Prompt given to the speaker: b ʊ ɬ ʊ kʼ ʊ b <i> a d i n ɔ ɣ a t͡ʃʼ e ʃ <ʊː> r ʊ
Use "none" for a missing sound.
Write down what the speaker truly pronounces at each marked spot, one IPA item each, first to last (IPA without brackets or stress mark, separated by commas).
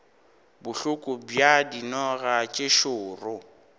j, ʊː